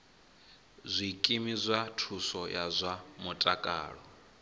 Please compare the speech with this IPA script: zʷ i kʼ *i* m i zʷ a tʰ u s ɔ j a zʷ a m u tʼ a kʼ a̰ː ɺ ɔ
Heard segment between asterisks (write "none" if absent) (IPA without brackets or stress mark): i